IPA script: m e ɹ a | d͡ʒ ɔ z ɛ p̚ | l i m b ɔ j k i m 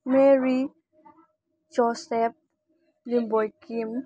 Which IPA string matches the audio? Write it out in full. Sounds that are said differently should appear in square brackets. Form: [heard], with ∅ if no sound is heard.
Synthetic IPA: m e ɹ [i] | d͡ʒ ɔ [s] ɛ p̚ | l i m b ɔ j k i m